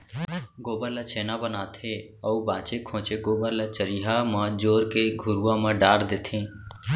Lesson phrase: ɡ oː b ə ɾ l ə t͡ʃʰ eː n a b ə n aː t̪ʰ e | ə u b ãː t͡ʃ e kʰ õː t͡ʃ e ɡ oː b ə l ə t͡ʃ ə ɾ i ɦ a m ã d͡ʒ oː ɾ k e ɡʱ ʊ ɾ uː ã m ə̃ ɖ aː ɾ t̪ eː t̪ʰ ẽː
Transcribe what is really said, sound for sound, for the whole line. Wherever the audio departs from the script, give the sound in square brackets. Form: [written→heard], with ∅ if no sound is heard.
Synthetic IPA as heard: ɡ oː b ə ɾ l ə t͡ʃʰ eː n a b ə n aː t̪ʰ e | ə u b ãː t͡ʃ e kʰ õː t͡ʃ e ɡ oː b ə l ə t͡ʃ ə ɾ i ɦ a m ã d͡ʒ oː ɾ k e ɡʱ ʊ ɾ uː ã m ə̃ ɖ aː ɾ [t̪→d̪] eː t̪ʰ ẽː